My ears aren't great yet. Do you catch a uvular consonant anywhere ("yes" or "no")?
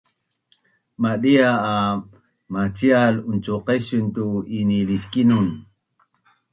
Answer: yes